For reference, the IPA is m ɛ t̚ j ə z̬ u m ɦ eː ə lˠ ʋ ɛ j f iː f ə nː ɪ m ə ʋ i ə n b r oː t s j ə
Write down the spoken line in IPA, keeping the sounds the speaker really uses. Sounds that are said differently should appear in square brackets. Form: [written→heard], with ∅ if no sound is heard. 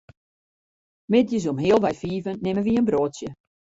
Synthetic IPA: m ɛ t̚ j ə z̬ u m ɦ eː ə lˠ ʋ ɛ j f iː [f→v] ə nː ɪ m ə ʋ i ə n b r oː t s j ə